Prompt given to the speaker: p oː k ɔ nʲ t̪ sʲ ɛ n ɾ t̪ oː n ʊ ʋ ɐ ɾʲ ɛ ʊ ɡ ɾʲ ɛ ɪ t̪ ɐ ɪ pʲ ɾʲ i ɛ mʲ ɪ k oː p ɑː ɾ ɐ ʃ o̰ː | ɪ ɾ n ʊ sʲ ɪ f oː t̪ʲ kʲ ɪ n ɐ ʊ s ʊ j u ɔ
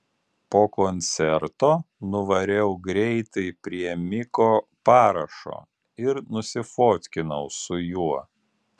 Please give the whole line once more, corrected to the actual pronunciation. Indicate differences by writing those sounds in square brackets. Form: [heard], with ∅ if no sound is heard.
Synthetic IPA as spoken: p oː k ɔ nʲ t̪ sʲ ɛ [∅] ɾ t̪ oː n ʊ ʋ ɐ ɾʲ ɛ ʊ ɡ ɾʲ ɛ ɪ t̪ ɐ ɪ pʲ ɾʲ i ɛ mʲ ɪ k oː p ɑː ɾ ɐ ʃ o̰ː | ɪ ɾ n ʊ sʲ ɪ f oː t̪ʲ kʲ ɪ n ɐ ʊ s ʊ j u ɔ